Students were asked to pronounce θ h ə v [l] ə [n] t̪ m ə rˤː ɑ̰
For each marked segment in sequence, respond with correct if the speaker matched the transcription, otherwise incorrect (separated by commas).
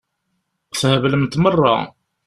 correct, incorrect